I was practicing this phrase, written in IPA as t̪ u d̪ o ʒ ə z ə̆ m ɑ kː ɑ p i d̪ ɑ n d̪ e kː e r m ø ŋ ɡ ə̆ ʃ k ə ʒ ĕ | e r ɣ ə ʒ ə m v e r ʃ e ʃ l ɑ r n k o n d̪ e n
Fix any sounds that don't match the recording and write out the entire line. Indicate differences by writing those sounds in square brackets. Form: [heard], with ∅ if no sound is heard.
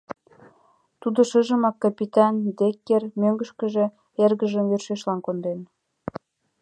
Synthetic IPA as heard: t̪ u d̪ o [ʃ] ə [ʒ] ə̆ m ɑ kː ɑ p i [t̪] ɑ n d̪ e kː e r m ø ŋ ɡ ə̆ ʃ k ə ʒ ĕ | e r ɣ ə ʒ ə m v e r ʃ e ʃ l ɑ [∅] n k o n d̪ e n